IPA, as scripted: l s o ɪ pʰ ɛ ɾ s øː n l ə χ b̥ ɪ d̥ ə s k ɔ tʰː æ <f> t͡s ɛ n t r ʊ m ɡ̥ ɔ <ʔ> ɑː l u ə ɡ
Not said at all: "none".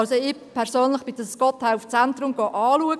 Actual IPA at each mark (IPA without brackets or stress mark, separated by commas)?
f, ʔ